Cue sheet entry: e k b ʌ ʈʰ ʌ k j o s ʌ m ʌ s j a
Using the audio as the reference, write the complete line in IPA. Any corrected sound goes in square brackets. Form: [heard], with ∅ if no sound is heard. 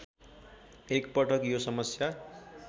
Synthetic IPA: e k [p] ʌ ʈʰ ʌ k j o s ʌ m ʌ s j a